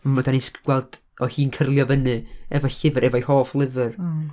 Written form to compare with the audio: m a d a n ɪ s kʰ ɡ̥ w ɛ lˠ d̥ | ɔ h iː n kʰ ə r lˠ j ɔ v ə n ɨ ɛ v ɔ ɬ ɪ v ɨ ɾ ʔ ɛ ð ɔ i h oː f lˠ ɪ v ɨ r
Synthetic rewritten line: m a d a n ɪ s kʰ ɡ̥ w ɛ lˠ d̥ | ɔ h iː n kʰ ə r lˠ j ɔ v ə n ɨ ɛ v ɔ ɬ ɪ v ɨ ɾ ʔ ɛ v ɔ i h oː f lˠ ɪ v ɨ r